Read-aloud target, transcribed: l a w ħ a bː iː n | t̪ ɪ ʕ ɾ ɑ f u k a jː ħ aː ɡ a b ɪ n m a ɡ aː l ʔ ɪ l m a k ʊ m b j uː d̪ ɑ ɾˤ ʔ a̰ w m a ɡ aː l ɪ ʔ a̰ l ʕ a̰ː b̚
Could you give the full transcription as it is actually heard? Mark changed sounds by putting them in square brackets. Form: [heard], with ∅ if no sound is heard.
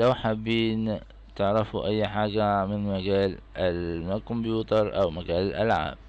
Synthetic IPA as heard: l a w ħ a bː iː n | t̪ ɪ ʕ ɾ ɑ f u [ʔ] a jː ħ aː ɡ a [m] ɪ n m a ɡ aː l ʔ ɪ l m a k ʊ m b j uː [t̪] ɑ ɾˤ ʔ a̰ w m a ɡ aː l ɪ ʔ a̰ l ʕ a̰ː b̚